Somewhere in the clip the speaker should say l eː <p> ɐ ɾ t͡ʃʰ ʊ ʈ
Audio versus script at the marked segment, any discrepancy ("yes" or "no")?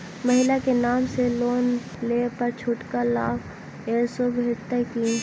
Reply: no